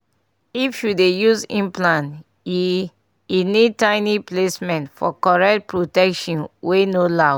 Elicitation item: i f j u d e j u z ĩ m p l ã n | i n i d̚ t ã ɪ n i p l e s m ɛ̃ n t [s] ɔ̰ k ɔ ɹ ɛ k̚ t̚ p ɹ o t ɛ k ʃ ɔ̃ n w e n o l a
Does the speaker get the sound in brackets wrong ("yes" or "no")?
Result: yes